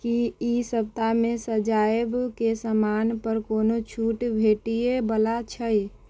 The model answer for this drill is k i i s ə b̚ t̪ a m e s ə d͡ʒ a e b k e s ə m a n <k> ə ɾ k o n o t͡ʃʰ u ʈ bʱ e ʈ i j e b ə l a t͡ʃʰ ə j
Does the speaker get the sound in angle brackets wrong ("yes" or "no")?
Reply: yes